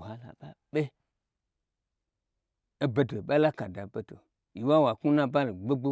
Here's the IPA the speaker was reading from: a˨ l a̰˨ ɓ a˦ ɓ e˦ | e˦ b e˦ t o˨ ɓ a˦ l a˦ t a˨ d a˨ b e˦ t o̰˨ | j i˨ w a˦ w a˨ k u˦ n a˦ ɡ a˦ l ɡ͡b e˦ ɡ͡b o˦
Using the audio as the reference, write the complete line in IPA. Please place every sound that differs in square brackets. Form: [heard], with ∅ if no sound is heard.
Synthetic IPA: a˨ l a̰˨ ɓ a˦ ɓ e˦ | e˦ b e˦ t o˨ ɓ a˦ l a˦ [k] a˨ d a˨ b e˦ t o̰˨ | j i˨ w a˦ w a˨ k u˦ n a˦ [b] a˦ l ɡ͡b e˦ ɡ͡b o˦